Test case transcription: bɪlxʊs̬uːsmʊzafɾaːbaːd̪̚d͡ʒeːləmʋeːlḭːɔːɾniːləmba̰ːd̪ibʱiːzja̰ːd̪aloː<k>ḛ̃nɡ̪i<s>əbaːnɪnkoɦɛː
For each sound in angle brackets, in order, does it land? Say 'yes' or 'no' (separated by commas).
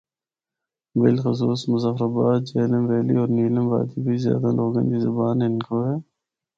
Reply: no, no